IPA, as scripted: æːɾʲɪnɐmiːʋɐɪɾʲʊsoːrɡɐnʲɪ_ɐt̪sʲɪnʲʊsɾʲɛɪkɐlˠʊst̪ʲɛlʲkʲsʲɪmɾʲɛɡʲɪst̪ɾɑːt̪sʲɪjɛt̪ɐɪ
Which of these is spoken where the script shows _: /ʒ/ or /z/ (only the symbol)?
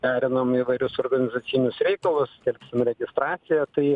z